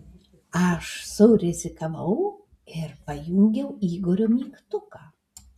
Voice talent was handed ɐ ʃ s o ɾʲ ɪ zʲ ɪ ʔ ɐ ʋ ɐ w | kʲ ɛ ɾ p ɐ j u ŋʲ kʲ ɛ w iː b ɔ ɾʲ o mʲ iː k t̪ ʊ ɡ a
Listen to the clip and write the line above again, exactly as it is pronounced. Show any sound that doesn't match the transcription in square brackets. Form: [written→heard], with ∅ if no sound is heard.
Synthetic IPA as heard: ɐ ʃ s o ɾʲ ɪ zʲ ɪ [ʔ→k] ɐ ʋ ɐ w | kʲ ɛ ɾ p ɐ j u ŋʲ [kʲ→ɡʲ] ɛ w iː [b→ɡ] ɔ ɾʲ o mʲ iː k t̪ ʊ [ɡ→k] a